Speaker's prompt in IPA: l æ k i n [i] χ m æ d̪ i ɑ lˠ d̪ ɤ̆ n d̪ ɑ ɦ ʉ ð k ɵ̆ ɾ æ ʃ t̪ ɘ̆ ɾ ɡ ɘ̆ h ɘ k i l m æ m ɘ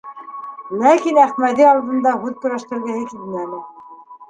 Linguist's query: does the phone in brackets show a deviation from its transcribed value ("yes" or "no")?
yes